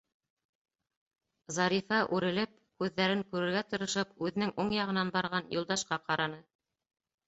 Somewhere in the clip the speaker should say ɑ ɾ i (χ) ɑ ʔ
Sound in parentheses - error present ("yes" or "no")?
yes